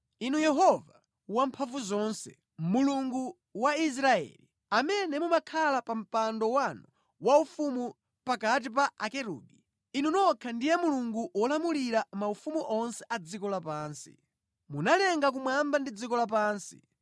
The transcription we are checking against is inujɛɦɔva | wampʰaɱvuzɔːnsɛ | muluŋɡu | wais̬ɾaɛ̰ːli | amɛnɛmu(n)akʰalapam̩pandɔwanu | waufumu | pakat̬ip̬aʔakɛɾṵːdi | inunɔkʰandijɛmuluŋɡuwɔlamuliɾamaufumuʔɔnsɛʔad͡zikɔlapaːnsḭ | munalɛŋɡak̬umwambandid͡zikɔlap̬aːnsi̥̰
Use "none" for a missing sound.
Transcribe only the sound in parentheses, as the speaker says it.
m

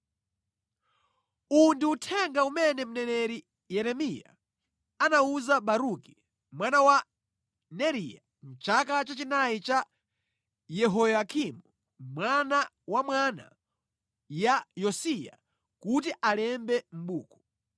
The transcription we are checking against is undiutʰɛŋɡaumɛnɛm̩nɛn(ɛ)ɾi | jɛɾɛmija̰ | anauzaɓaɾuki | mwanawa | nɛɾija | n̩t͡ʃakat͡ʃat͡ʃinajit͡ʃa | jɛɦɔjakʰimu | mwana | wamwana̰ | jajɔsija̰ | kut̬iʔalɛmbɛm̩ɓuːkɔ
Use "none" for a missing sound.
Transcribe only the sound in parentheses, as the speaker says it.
ɛ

